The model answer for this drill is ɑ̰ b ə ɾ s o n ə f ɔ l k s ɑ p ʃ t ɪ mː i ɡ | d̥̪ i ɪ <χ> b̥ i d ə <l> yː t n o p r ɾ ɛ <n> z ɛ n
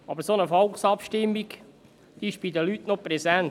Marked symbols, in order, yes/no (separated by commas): no, yes, no